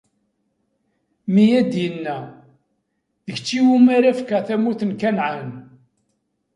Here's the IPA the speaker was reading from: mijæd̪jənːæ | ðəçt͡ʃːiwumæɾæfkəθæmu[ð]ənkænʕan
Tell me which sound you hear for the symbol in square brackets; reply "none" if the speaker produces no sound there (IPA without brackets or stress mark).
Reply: θ